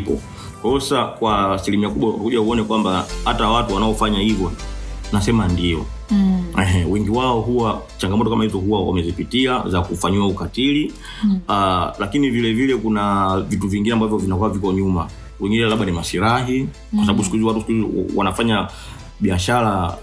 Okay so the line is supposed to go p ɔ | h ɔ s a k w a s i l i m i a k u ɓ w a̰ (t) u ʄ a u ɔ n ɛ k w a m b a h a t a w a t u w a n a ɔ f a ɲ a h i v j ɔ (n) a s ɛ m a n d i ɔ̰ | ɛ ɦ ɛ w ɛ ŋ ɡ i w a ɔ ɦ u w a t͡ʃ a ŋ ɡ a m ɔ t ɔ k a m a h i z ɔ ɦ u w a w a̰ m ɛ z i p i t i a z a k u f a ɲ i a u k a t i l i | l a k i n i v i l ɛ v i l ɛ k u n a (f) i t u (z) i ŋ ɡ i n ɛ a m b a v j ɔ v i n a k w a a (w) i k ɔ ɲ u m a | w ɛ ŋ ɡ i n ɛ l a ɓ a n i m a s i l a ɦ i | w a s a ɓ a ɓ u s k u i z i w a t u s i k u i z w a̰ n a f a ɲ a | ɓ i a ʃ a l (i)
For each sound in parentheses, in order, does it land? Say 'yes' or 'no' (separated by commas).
no, yes, no, no, no, no